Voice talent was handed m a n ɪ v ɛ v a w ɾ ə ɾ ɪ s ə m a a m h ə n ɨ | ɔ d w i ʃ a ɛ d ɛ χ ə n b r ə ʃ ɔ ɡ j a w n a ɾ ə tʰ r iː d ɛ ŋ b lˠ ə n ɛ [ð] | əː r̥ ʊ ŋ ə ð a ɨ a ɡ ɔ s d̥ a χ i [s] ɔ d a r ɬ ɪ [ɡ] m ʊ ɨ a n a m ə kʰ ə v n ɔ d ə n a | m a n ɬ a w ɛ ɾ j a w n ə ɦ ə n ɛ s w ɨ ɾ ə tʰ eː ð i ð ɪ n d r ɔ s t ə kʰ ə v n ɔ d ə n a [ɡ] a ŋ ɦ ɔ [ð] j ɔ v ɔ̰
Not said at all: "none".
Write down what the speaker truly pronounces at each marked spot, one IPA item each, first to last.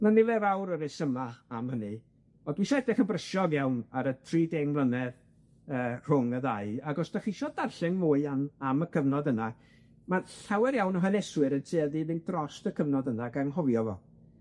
ð, ʃ, ŋ, ɡ, v

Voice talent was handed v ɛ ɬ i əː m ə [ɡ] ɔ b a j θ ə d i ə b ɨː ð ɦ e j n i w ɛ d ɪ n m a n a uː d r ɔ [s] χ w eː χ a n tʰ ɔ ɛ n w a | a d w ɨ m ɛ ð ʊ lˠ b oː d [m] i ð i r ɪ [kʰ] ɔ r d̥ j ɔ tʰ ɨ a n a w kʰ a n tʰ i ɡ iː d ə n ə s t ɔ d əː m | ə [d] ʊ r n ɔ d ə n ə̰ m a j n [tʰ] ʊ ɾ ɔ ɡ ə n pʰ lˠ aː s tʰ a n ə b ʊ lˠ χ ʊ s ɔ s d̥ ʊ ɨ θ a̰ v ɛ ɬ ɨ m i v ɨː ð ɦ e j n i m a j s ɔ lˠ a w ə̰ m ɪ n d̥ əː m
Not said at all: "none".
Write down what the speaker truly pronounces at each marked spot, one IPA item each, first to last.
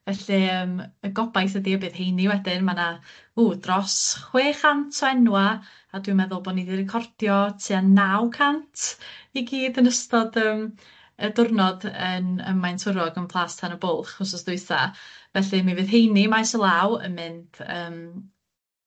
ɡ, s, n, kʰ, d, tʰ

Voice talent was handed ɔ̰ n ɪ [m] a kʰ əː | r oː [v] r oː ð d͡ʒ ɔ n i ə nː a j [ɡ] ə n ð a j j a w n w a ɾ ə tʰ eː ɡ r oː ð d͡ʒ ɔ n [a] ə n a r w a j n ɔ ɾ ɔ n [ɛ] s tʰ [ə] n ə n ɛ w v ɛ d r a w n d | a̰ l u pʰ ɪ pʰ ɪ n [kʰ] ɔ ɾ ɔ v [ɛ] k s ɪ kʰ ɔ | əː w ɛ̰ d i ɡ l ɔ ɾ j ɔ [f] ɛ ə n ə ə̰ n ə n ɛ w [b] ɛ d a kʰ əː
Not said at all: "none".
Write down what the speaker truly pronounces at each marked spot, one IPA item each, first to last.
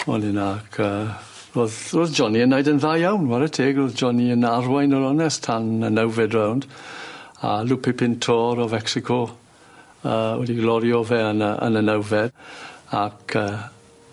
n, ð, d, i, ɛ, a, tʰ, ɛ, v, v

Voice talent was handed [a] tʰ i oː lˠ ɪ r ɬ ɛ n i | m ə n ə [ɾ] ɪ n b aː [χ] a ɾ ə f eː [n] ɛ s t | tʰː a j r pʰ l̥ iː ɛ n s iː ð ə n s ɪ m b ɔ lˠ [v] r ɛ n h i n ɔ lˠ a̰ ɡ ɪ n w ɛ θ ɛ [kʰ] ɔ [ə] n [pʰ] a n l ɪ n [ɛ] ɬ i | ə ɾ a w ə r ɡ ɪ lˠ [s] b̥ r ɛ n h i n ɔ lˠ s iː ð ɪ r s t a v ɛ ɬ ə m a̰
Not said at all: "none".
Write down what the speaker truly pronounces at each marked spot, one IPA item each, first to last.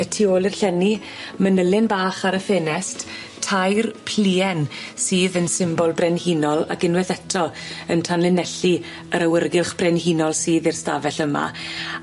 ə, l, χ, n, b, tʰ, ə, tʰ, ɛ, χ

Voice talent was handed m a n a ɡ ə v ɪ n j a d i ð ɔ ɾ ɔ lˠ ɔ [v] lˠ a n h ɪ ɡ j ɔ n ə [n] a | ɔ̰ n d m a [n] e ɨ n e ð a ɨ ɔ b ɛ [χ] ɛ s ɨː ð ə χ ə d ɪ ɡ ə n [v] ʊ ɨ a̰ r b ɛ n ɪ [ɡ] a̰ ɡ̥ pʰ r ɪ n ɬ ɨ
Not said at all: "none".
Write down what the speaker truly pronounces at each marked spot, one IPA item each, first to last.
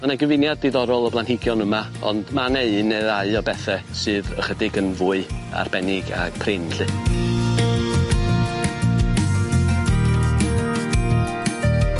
b, m, n, θ, v, ɡ

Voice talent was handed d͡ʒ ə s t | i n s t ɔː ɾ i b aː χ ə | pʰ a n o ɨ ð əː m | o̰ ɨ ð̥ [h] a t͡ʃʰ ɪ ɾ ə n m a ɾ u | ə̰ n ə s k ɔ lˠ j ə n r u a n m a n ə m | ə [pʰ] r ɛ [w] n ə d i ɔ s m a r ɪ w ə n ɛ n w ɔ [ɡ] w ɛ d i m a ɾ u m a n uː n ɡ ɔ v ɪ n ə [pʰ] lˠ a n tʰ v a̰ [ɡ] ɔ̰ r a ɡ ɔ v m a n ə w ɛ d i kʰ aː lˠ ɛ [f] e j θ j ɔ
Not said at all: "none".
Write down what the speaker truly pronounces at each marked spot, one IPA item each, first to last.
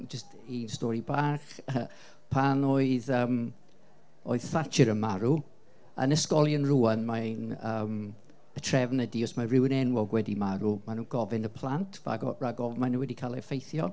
θ, tʰ, v, ɡ, pʰ, ɡ, f

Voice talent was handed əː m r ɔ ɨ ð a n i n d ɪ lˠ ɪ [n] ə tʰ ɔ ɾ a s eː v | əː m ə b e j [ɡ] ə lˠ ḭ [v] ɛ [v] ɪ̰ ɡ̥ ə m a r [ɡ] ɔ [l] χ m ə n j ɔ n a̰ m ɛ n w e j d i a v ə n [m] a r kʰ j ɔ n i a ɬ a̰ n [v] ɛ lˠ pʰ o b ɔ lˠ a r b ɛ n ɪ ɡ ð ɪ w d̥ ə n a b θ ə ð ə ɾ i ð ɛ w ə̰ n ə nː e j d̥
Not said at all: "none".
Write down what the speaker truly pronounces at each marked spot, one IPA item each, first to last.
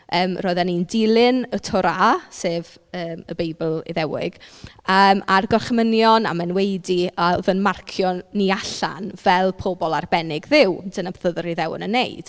n, b, ð, w, ɡ, r, m, v

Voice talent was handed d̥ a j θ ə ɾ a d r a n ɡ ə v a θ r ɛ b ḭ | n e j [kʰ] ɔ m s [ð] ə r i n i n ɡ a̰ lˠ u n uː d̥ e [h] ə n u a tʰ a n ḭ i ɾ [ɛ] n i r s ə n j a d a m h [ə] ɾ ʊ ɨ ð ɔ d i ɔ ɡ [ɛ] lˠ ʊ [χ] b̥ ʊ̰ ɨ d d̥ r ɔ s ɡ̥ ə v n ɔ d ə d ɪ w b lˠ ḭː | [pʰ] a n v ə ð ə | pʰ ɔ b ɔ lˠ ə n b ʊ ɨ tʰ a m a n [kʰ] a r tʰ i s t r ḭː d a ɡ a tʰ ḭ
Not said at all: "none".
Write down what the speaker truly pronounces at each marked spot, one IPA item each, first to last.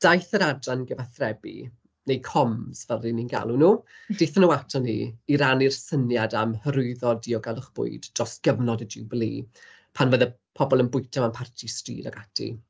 kʰ, v, θ, a, ə, a, χ, pʰ, pʰ

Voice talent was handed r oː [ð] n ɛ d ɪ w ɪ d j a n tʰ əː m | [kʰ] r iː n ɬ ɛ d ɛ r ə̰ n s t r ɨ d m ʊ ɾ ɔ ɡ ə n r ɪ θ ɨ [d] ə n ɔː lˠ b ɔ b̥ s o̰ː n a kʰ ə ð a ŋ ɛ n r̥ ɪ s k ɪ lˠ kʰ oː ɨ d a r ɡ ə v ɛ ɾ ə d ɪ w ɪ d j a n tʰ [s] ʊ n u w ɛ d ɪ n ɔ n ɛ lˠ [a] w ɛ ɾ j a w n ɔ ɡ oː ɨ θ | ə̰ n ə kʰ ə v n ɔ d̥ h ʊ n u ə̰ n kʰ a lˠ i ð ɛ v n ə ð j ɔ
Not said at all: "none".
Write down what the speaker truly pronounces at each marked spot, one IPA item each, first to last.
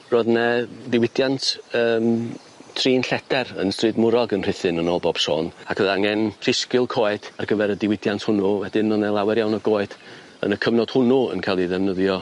ð, tʰ, n, h, a

